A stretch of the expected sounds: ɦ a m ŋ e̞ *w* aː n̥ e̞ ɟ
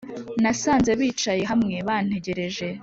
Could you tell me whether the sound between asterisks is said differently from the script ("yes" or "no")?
yes